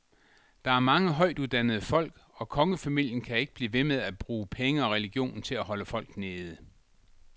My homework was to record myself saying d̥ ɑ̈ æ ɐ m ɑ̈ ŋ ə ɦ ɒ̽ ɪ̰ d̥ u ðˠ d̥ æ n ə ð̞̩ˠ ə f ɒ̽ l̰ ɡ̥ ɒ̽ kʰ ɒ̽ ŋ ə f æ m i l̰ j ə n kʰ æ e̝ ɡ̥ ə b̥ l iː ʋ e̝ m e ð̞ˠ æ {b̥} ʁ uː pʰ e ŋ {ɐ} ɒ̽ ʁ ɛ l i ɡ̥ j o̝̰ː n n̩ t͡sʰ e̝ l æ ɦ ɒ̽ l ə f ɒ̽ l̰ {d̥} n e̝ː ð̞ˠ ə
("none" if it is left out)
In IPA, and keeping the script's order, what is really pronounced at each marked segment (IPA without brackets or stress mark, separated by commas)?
b̥, ə, ɡ̥